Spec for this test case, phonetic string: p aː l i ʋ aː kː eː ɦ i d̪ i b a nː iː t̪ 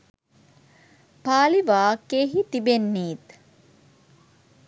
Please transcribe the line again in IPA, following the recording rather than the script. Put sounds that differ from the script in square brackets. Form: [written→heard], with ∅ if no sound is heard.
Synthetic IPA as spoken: p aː l i ʋ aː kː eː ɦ i [d̪→t̪] i b [a→e] nː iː t̪